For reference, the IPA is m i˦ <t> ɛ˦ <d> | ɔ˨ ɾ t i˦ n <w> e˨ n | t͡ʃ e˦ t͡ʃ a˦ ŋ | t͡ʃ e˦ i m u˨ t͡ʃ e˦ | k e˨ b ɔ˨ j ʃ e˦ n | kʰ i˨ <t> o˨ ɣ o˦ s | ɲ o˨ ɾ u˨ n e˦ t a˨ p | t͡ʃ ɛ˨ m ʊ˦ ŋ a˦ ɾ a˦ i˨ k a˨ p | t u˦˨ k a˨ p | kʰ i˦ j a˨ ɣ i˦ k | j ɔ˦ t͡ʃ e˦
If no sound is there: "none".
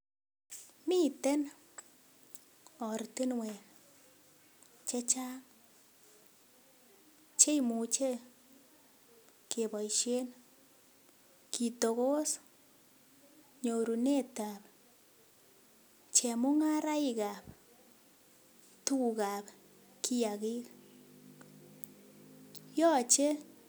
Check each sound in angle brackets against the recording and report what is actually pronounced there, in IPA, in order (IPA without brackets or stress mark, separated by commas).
t, n, w, t